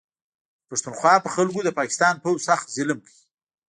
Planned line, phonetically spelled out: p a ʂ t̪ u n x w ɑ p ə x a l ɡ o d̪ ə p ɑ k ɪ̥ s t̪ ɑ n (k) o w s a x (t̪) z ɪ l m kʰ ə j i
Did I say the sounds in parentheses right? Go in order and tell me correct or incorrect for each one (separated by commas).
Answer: incorrect, correct